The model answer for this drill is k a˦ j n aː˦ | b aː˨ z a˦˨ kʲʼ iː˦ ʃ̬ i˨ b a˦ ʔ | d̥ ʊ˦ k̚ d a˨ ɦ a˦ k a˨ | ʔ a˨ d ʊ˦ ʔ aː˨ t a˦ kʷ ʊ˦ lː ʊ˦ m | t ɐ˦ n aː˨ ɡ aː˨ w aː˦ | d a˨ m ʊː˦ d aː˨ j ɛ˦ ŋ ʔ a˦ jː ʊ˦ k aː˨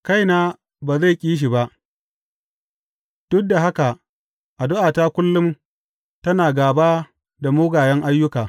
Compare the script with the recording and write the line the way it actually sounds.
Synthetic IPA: k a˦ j n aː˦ | b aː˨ z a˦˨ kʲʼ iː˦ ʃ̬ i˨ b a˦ ʔ | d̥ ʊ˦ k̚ d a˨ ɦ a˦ k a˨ | ʔ a˨ d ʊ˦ ʔ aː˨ t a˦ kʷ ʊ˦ lː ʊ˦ m | t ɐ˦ n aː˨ ɡ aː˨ b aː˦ | d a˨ m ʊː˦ ɡ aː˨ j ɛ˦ ŋ ʔ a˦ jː ʊ˦ k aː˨